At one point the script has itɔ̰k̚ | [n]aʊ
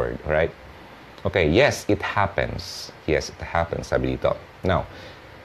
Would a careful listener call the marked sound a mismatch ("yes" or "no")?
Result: no